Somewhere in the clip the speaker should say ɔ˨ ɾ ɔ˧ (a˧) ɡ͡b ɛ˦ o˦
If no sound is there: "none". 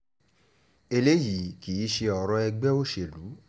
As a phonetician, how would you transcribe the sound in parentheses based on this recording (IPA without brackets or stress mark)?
ɛ˧